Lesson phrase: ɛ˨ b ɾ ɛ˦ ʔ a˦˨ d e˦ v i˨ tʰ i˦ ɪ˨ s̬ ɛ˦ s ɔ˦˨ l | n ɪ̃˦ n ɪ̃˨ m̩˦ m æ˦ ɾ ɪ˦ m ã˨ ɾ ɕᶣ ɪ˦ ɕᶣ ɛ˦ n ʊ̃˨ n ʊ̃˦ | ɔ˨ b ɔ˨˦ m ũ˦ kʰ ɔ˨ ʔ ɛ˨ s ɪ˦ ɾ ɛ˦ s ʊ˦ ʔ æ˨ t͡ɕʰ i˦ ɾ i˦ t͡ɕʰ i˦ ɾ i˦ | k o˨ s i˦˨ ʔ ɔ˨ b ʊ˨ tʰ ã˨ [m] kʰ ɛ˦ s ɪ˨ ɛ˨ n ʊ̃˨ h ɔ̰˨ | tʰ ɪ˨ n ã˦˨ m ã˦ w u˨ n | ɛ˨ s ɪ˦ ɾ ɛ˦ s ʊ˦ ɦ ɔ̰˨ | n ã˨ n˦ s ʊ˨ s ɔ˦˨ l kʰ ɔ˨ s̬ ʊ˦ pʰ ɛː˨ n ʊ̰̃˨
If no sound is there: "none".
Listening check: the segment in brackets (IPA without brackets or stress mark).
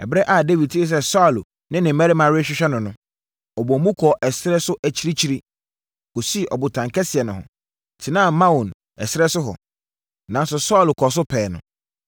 ŋ